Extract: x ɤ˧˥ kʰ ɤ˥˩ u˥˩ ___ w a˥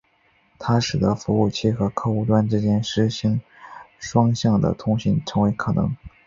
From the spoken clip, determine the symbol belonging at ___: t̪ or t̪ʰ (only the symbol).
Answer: t̪